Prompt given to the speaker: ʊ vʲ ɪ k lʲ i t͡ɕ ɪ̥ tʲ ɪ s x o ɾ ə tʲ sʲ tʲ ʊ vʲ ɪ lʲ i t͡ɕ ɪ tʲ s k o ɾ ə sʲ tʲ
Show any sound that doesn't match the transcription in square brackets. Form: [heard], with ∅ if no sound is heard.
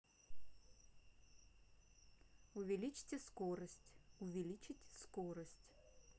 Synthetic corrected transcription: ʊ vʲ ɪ [∅] lʲ i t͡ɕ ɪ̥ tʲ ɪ s [k] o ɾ ə [∅] sʲ tʲ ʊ vʲ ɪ lʲ i t͡ɕ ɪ tʲ s k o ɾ ə sʲ tʲ